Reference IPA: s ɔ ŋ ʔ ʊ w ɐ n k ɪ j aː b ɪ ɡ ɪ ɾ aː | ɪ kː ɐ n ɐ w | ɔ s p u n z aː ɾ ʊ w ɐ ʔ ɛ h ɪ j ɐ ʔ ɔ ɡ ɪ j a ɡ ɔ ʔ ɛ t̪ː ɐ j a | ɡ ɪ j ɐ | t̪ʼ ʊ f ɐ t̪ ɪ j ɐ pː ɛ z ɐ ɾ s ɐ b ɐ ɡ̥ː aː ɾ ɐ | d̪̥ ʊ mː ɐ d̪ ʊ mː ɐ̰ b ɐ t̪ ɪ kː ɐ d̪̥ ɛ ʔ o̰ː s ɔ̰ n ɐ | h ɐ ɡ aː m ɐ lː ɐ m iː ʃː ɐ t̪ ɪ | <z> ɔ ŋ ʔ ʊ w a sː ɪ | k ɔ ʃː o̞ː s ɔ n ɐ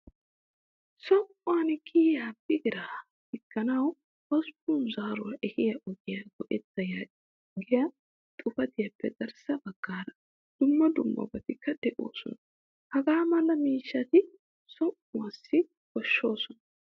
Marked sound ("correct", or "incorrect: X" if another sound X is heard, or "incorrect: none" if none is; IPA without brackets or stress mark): incorrect: s